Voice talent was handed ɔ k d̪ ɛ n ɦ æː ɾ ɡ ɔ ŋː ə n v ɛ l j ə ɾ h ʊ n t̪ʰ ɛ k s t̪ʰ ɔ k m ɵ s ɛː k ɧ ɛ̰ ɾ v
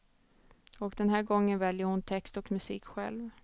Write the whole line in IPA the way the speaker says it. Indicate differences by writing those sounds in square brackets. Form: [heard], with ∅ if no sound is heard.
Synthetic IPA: ɔ k d̪ ɛ n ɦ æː ɾ ɡ ɔ ŋː ə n v ɛ l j ə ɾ h ʊ n t̪ʰ ɛ k s [t̪] ɔ k m ɵ s [iː] k ɧ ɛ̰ [l] v